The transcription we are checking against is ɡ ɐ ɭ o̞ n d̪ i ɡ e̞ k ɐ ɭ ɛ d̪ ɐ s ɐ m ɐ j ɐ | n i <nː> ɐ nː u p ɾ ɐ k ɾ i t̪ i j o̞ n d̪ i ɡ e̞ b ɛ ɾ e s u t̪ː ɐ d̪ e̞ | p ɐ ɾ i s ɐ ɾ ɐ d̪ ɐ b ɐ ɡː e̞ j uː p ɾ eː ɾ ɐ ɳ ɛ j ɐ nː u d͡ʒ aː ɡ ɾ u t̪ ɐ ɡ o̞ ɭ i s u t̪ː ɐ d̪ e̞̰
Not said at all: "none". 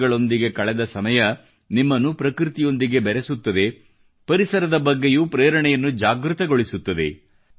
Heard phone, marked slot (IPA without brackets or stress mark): mː